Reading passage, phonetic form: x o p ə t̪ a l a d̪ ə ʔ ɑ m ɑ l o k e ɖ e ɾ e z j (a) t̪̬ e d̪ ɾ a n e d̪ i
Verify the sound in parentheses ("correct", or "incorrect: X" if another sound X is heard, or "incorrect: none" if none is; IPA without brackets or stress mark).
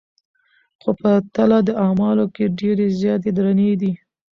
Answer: incorrect: ɑ